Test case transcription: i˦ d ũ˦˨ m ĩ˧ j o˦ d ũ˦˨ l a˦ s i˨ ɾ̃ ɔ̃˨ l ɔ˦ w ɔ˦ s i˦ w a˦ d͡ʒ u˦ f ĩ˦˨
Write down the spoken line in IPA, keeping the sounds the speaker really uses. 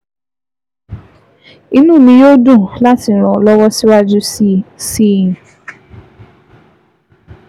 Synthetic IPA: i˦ n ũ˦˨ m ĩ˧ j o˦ d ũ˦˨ l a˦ t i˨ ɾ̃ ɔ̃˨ l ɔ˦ w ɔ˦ s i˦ w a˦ d͡ʒ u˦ s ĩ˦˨